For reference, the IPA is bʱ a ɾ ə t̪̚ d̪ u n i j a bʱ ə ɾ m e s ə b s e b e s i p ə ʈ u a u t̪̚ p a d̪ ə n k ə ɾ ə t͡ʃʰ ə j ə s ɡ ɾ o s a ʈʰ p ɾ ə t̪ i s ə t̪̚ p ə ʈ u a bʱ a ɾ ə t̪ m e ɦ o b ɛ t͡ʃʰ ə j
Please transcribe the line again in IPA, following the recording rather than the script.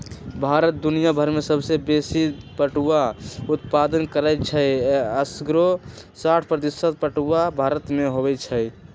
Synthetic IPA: bʱ a ɾ ə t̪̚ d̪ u n i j a bʱ ə ɾ m e s ə b s e b e s i p ə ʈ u a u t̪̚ p a d̪ ə n k ə ɾ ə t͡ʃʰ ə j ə s ɡ ɾ o s a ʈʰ p ɾ ə t̪ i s ə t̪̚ p ə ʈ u a bʱ a ɾ ə t̪ m e ɦ o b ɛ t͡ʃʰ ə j